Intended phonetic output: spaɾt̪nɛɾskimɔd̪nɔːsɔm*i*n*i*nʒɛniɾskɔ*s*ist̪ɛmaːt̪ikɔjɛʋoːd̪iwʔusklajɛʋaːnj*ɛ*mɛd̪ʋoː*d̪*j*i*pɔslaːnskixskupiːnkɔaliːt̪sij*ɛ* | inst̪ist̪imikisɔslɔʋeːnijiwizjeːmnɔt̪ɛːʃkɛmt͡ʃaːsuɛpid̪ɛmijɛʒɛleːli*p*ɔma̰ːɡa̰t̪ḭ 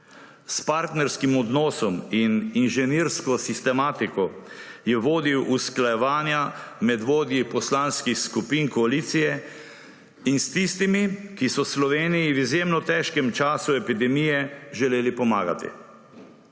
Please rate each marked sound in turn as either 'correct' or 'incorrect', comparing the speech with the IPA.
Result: correct, correct, correct, incorrect, correct, correct, correct, correct

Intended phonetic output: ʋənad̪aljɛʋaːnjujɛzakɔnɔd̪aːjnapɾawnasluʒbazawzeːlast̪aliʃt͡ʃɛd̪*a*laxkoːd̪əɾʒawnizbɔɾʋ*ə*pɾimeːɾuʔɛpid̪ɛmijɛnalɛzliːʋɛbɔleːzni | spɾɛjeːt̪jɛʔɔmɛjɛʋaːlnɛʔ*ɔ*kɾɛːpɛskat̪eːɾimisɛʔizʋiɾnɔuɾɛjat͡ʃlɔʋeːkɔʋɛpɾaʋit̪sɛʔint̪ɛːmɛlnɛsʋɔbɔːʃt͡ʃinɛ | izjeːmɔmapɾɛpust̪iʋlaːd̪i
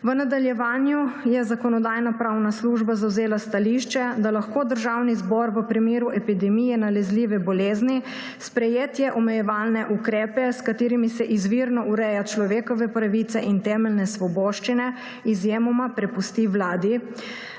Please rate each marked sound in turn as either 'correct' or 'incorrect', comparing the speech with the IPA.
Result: correct, correct, incorrect

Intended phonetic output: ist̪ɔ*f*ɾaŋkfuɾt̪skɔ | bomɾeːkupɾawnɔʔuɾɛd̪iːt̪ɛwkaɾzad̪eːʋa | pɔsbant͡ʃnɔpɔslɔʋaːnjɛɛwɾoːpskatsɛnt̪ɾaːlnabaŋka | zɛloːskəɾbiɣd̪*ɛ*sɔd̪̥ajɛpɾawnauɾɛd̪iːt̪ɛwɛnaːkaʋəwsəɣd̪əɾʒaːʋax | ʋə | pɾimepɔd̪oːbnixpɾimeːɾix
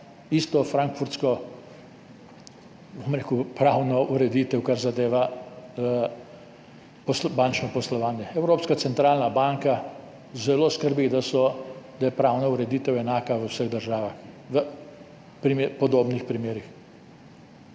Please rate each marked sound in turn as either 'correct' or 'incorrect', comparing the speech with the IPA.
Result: correct, incorrect

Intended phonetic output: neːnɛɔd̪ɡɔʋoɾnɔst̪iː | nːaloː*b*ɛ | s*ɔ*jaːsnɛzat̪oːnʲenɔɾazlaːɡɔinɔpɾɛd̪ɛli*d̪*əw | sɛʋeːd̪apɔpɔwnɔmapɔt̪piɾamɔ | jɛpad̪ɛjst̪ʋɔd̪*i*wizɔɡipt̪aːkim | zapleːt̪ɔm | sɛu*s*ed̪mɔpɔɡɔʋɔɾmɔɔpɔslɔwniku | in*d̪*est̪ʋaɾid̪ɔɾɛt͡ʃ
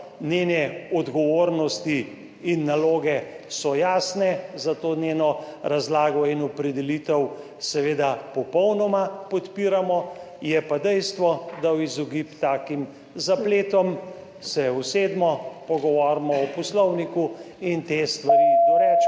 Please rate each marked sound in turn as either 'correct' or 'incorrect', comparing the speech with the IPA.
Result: incorrect, correct, incorrect, incorrect, correct, incorrect

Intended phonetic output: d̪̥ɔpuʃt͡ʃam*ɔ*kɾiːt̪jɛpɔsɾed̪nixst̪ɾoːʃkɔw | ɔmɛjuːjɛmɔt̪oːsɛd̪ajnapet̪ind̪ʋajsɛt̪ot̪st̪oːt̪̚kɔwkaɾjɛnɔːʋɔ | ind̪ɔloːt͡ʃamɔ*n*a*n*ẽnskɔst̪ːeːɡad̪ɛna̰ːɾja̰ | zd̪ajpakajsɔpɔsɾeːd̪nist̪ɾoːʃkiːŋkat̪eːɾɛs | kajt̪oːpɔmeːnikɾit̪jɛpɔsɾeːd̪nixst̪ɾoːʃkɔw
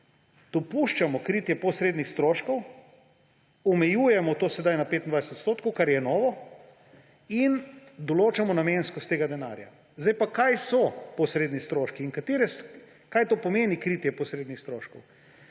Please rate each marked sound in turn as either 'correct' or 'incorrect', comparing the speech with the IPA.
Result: correct, correct, incorrect

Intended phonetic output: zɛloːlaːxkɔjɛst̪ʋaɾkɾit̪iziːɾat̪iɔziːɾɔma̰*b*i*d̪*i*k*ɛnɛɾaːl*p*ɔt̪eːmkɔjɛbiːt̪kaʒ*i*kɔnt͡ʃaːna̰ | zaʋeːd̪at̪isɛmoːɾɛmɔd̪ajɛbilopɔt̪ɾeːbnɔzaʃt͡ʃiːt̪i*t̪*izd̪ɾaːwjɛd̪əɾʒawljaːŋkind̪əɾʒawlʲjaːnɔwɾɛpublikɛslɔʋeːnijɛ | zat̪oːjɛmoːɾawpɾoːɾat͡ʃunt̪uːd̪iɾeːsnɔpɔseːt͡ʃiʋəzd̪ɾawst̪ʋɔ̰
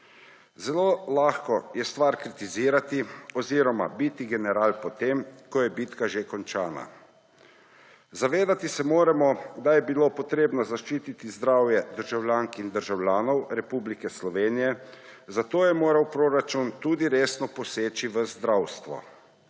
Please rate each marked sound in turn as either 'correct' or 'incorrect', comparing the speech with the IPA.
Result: correct, incorrect, incorrect, correct, incorrect, correct

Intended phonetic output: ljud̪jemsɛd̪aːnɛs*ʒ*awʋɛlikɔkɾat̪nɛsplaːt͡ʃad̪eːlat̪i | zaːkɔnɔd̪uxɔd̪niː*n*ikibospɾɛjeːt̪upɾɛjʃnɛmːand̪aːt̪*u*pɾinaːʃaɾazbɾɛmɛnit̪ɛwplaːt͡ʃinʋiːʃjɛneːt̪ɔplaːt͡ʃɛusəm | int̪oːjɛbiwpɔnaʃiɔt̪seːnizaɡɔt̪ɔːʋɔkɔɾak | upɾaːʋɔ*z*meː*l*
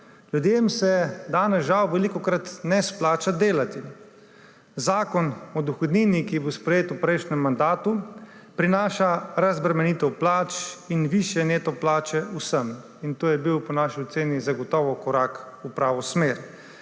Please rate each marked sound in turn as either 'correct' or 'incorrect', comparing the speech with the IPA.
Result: correct, correct, correct, incorrect, incorrect

